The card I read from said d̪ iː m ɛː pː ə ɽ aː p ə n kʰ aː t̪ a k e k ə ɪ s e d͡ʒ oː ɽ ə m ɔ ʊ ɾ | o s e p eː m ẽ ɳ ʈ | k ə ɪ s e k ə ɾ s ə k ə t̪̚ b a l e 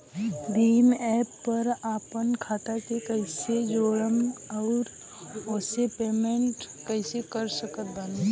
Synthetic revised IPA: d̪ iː m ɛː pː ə ɾ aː p ə n kʰ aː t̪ a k e k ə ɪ s e d͡ʒ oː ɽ ə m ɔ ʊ ɾ | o s e p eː m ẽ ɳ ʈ | k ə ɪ s e k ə ɾ s ə k ə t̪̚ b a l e